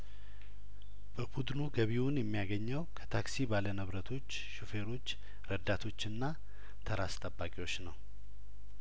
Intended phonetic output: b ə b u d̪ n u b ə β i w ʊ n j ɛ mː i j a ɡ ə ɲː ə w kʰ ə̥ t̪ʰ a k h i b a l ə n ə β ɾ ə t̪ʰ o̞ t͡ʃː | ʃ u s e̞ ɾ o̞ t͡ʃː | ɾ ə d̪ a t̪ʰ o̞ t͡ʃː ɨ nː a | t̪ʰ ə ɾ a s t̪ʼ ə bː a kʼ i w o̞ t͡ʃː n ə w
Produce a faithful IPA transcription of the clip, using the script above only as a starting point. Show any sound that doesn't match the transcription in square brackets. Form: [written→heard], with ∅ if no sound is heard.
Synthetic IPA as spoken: b ə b u d̪ n u [b→ɡ] ə β i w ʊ n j ɛ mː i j a ɡ ə ɲː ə w kʰ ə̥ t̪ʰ a k [h→s] i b a l ə n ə β ɾ ə t̪ʰ o̞ t͡ʃː | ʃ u [s→f] e̞ ɾ o̞ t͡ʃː | ɾ ə d̪ a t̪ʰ o̞ t͡ʃː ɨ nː a | t̪ʰ ə ɾ a s t̪ʼ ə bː a kʼ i w o̞ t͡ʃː n ə w